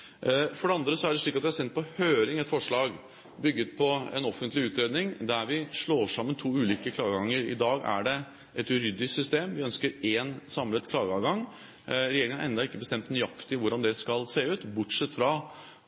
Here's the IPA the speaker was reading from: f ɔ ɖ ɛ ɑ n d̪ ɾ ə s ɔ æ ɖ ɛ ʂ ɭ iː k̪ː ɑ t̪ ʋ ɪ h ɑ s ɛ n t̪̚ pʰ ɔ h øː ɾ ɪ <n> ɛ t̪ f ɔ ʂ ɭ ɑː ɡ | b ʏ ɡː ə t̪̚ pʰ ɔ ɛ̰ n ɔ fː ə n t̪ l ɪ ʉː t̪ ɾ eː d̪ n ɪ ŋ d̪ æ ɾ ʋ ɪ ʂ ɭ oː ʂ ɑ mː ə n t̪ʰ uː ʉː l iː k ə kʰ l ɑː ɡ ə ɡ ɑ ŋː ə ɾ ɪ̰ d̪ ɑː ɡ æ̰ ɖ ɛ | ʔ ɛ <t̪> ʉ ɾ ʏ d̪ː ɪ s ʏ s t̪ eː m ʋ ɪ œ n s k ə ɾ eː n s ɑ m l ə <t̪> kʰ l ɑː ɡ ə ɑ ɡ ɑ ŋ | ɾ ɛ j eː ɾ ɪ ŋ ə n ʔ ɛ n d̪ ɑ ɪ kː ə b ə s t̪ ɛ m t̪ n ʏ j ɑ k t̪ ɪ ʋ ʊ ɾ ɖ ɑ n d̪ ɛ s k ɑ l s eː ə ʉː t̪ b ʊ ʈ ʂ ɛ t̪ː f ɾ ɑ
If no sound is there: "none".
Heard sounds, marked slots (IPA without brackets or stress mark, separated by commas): ŋ, t̪, t̪